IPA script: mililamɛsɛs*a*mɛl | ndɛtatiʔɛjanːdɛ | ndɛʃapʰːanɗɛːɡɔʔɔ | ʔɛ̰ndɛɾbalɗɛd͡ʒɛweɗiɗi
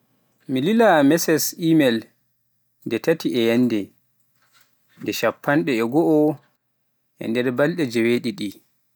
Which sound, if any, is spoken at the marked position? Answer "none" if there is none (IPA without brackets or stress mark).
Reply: i